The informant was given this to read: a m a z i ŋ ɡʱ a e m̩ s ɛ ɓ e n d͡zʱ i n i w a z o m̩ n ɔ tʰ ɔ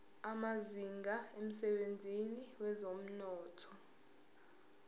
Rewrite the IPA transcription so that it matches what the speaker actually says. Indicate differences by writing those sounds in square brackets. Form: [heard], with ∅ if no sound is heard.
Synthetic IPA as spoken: a m a z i ŋ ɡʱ a e m̩ s ɛ ɓ e n d͡zʱ i n i w [ɛ] z o m̩ n [ɔː] tʰ ɔ

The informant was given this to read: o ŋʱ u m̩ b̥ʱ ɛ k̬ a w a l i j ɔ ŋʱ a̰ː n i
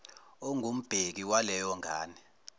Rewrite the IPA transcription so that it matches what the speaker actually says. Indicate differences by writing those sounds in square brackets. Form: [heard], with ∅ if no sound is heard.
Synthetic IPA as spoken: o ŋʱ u m̩ b̥ʱ [e] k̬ [i] w a l [ɛ] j ɔ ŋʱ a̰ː n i

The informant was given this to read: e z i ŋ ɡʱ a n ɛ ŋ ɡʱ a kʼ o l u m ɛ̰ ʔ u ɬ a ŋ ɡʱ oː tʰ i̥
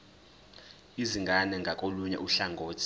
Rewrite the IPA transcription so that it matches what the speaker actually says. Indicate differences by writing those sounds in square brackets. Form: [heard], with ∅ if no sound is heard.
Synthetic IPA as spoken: [i] z i ŋ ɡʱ a n ɛ ŋ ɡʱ a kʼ o l u [ɲ] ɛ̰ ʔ u ɬ a ŋ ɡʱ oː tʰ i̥

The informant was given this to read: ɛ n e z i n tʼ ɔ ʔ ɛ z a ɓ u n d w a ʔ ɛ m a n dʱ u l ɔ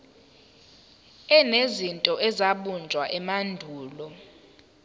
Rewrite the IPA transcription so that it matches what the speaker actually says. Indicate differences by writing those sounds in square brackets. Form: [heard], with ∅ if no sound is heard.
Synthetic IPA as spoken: ɛ n e z i n tʼ ɔ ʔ ɛ z a ɓ u n [d͡ʒʱ] w a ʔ ɛ m a n dʱ [uː] l ɔ

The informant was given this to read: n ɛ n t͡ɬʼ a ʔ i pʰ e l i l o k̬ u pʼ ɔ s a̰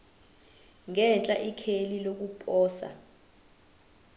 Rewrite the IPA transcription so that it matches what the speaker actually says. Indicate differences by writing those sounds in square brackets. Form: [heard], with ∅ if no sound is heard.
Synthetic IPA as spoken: [ŋ] ɛ n t͡ɬʼ a ʔ i [kʰ] e l i l o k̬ u pʼ [ɔː] s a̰

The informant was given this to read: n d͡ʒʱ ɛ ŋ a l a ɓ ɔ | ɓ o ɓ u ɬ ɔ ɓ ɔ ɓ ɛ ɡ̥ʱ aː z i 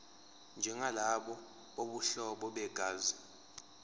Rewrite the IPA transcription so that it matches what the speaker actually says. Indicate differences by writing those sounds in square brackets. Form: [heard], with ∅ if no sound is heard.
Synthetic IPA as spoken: n d͡ʒʱ ɛ ŋ a l a ɓ ɔ | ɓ o ɓ u ɬ ɔ ɓ ɔ ɓ ɛ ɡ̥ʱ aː z i

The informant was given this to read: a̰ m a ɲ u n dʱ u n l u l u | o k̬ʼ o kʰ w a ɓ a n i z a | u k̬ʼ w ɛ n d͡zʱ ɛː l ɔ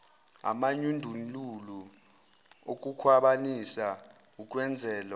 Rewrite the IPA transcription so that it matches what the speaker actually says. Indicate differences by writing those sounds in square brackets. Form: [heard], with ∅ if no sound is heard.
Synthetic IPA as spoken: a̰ m a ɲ u n dʱ u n l u l u | o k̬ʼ [u] kʰ w a ɓ a n i [s] a | u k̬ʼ w ɛ n d͡zʱ ɛː l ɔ

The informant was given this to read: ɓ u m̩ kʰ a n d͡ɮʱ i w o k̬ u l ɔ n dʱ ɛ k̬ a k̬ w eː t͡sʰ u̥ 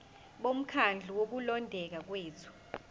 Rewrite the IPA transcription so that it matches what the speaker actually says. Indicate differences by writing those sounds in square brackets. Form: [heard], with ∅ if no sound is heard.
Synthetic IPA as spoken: ɓ [o] m̩ kʰ a n d͡ɮʱ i w o k̬ u l ɔ n dʱ ɛ k̬ a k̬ w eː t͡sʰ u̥

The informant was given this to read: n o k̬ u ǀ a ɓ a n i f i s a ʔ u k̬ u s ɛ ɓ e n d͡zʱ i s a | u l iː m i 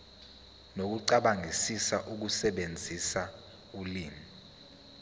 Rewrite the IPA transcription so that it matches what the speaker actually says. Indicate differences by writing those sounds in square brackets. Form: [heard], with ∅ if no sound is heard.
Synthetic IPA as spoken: n o k̬ u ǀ a ɓ a [ŋ] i [s] i s a ʔ u k̬ u s ɛ ɓ e n d͡zʱ i s a | u l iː m i

